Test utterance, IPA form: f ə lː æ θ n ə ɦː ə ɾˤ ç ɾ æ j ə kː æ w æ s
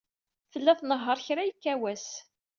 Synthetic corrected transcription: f ə lː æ θ n ə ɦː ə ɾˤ ç ɾ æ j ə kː æ w æ s